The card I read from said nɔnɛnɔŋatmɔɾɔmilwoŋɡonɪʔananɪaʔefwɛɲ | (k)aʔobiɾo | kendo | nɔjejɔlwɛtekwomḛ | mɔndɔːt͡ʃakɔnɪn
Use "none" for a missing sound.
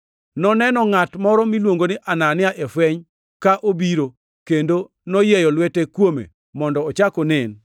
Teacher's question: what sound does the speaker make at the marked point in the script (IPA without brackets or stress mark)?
k